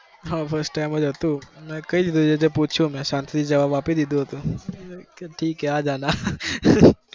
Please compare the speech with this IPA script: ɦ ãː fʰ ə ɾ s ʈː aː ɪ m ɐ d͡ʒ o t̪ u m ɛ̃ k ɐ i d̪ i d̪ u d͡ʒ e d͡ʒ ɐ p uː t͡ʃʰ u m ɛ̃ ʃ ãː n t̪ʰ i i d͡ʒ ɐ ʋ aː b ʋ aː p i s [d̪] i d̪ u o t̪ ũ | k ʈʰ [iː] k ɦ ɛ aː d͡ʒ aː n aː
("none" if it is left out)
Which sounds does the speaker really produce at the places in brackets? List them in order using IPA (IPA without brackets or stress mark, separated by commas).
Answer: d̪, iː